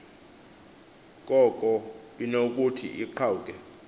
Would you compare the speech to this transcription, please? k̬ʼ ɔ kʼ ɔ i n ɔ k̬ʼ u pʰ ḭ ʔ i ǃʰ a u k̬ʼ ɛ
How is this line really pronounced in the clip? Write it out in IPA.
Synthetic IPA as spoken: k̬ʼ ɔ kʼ ɔ i n o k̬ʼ u tʰ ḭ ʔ i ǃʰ a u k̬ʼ ɛ